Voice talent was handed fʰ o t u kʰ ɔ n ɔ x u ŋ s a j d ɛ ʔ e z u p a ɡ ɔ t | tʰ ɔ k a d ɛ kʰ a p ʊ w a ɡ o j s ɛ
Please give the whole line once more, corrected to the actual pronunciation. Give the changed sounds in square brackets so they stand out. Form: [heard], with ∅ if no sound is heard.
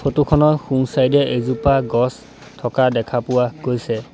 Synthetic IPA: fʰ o t u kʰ ɔ n ɔ x u ŋ s a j d ɛ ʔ e z u p a ɡ ɔ [s] | tʰ ɔ k a d ɛ kʰ a p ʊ w a ɡ o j s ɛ